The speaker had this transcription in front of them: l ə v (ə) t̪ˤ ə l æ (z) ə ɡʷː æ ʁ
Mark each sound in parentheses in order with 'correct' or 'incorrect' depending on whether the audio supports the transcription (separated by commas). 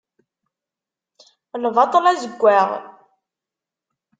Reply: incorrect, correct